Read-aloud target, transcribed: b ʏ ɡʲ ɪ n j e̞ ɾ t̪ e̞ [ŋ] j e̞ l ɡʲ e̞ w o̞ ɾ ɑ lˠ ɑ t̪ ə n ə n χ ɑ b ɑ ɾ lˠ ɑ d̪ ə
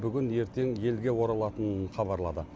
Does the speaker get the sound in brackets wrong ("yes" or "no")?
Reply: no